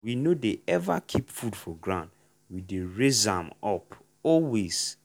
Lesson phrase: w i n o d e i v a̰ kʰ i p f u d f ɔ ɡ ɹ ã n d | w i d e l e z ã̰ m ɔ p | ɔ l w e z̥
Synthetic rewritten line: w i n o d e ɛ v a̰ kʰ i p f u d f ɔ ɡ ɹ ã n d | w i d e ɹ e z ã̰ m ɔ p | ɔ l w e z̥